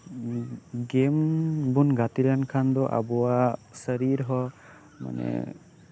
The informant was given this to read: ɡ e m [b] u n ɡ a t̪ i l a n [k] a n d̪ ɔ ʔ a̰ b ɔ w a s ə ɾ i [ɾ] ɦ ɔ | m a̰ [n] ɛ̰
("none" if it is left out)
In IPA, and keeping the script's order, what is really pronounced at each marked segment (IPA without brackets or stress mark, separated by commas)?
b, kʰ, ɾ, n